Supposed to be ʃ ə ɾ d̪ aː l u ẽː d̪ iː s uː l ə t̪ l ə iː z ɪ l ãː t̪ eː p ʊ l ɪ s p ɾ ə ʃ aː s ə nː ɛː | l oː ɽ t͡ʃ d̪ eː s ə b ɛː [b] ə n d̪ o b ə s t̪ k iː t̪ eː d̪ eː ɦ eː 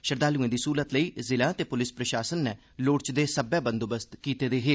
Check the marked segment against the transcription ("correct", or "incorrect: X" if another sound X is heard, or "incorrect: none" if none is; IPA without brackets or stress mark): correct